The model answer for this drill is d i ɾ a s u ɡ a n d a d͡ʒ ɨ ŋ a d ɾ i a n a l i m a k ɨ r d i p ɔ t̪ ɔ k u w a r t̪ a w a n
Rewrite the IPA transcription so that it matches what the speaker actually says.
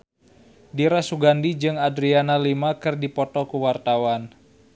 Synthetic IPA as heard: d i ɾ a s u ɡ a n d i d͡ʒ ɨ ŋ a d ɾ i a n a l i m a k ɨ r d i p ɔ t̪ ɔ k u w a r t̪ a w a n